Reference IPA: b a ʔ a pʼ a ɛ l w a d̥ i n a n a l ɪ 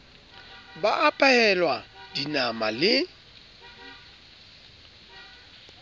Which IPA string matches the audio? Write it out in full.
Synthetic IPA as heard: b a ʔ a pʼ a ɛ l w a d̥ i n a m a l ɪ